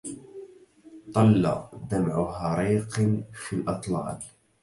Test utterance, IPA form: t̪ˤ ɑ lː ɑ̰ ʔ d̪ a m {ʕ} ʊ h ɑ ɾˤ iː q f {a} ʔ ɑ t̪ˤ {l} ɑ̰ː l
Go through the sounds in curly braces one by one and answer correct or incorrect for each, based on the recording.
correct, incorrect: i, correct

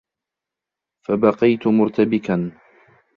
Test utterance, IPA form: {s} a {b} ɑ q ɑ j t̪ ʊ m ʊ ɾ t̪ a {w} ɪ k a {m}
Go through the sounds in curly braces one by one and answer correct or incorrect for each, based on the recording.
incorrect: f, correct, incorrect: b, incorrect: n

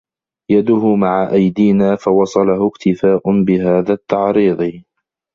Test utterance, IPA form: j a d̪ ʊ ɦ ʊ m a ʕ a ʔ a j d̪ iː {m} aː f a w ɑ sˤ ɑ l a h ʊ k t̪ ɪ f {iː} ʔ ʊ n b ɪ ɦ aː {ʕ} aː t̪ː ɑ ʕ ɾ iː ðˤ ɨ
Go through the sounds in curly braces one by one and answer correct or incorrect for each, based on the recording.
incorrect: n, incorrect: aː, incorrect: ð

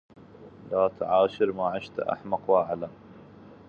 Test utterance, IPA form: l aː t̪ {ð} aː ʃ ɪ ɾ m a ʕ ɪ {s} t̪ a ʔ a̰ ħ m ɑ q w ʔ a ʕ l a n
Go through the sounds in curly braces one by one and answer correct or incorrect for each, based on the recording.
incorrect: ʕ, incorrect: ʃ

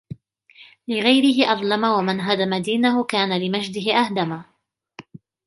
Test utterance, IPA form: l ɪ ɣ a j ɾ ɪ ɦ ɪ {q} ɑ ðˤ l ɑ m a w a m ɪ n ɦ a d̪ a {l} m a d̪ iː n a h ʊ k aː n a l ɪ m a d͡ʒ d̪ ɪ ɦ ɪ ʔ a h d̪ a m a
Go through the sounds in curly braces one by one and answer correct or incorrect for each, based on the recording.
incorrect: ʔ, incorrect: none

